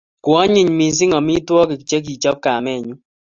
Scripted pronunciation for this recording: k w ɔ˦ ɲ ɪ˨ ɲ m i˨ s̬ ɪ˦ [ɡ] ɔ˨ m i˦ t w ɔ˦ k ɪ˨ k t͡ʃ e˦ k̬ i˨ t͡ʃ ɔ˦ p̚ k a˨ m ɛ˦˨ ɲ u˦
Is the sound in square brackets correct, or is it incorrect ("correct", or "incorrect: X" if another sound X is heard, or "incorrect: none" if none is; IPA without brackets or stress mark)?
incorrect: ŋ